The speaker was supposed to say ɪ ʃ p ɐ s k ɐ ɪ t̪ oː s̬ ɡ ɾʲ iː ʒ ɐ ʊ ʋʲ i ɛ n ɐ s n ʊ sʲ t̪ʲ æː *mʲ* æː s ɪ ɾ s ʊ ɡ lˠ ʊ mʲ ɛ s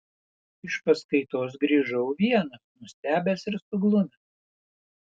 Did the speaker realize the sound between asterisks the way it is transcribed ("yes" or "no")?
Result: no